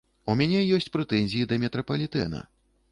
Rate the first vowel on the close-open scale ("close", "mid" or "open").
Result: close